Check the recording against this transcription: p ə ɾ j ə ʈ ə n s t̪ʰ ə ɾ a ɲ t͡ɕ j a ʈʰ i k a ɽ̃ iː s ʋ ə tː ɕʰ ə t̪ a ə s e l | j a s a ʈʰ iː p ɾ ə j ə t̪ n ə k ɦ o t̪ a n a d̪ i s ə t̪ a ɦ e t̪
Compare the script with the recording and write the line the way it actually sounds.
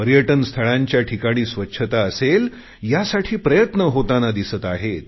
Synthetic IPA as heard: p ə ɾ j ə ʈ ə n s t̪ʰ ə ɭ a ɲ t͡ɕ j a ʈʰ i k a ɽ̃ iː s ʋ ə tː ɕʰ ə t̪ a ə s e l | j a s a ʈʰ iː p ɾ ə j ə t̪ n ə ɦ o t̪ a n a d̪ i s ə t̪ a ɦ e t̪

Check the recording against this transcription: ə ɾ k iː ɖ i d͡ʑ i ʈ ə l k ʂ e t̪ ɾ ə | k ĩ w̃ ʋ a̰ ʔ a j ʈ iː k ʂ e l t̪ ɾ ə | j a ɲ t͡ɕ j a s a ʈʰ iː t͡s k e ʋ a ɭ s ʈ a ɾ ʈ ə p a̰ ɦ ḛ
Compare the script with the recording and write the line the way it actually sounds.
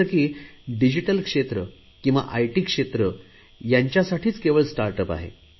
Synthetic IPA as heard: ə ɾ k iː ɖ i d͡ʑ i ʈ ə l k ʂ e t̪ ɾ ə | k ĩ w̃ ʋ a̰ ʔ a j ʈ iː k ʂ e t̪ ɾ ə | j a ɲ t͡ɕ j a s a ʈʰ iː t͡s k e ʋ ə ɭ s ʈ a ɾ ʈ ə p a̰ ɦ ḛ

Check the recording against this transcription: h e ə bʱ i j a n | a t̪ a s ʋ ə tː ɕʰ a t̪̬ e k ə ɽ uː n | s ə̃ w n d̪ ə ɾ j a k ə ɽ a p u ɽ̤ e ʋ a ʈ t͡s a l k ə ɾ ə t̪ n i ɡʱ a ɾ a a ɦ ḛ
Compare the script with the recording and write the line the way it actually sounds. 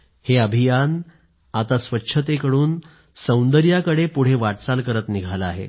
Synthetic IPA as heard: h e ə bʱ i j a n | a t̪ a s ʋ ə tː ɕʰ ə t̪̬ e k ə ɽ uː n | s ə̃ w n d̪ ə ɾ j a k ə ɽ e p u ɽ̤ e ʋ a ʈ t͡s a l k ə ɾ ə t̪ n i ɡʱ a l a a ɦ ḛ

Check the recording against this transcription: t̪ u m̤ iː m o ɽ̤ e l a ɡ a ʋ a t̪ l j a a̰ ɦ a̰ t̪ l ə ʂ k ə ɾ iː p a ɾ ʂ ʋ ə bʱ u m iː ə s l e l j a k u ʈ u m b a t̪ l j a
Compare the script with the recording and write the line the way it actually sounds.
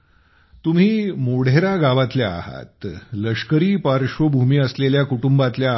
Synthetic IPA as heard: t̪ u m̤ iː m o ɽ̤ e ɾ a ɡ a ʋ a t̪ l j a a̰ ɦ a̰ t̪ l ə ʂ k ə ɾ iː p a ɾ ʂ ʋ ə bʱ u m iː ə s l e l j a k u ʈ u m b a t̪ l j a

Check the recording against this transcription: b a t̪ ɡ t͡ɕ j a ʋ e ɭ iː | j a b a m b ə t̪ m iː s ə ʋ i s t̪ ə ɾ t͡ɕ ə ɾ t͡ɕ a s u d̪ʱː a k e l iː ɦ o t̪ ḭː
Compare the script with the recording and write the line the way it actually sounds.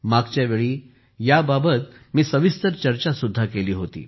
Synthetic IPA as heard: m a ɡ t͡ɕ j a ʋ e ɭ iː | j a b a b ə t̪ m iː s ə ʋ i s t̪ ə ɾ t͡ɕ ə ɾ t͡ɕ a s u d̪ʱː a k e l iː ɦ o t̪ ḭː

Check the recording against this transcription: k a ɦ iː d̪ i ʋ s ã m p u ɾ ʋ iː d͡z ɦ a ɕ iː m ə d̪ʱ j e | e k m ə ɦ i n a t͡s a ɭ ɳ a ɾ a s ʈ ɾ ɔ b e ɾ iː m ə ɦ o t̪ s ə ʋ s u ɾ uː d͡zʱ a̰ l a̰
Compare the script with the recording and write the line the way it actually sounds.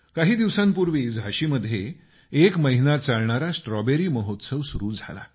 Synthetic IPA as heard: k a ɦ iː d̪ i ʋ s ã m p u ɾ ʋ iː d͡z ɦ a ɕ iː m ə d̪ʱ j e | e k m ə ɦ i n a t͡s a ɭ ɳ a ɾ a s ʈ ɾ ɔ b e ɾ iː m ə ɦ o t̪ s ə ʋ s u ɾ uː d͡zʱ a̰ l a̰

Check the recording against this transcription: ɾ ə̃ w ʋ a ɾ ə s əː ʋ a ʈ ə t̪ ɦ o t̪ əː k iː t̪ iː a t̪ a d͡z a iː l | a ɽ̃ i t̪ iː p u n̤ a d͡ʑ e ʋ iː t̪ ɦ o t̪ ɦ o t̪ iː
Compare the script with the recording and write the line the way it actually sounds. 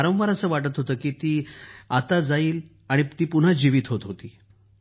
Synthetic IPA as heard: ɾ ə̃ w ʋ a ɾ ə s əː ʋ a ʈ ə t̪ ɦ o t̪ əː k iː t̪ iː a t̪ a d͡z a iː l | a ɽ̃ i t̪ iː p u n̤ a d͡ʑ i ʋ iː t̪ ɦ o t̪ ɦ o t̪ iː

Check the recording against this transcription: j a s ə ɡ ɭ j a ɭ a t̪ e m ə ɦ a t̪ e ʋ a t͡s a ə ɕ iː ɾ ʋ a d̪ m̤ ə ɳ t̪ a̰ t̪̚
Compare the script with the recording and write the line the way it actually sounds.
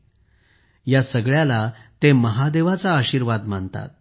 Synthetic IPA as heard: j a s ə ɡ ɭ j a l a t̪ e m ə ɦ a d̪ e ʋ a t͡s a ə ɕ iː ɾ ʋ a d̪ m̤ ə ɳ t̪ a̰ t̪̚

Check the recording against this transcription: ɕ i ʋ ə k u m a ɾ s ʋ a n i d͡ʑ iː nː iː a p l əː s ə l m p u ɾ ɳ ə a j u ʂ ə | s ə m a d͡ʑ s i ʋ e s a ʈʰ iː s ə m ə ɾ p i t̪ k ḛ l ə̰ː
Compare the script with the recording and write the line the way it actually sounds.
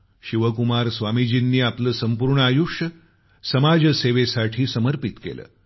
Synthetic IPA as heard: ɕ i ʋ ə k u m a ɾ s ʋ a m i d͡ʑ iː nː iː a p l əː s ə m p u ɾ ɳ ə a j u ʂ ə | s ə m a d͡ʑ s e ʋ e s a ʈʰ iː s ə m ə ɾ p i t̪ k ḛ l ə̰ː

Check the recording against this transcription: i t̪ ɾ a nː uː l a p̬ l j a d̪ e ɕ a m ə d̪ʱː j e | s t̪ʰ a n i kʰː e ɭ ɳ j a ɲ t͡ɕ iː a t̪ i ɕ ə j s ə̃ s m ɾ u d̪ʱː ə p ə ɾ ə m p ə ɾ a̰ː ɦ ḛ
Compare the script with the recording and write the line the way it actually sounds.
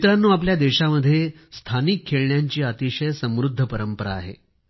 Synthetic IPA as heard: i t̪ ɾ a nː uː a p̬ l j a d̪ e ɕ a m ə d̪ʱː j e | s t̪ʰ a n i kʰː e ɭ ɳ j a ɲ t͡ɕ iː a t̪ i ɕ ə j s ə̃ m ɾ u d̪ʱː ə p ə ɾ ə m p ə ɾ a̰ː ɦ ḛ

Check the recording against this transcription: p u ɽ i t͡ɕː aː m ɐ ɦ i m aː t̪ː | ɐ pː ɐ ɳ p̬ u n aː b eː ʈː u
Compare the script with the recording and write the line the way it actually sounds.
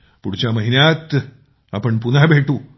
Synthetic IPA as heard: p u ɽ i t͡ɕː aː m ɐ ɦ i n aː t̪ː | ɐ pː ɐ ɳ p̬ u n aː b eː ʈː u

